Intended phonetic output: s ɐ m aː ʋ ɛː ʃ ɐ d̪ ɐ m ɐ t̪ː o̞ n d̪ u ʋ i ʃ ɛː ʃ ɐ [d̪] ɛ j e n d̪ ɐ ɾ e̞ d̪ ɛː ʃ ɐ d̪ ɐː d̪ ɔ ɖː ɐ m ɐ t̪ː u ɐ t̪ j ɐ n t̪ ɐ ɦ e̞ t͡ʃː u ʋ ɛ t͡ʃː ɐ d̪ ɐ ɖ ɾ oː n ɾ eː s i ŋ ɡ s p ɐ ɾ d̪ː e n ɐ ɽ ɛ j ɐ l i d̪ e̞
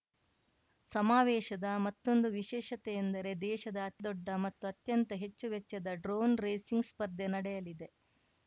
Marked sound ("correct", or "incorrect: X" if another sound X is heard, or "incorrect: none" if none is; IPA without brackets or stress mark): incorrect: t̪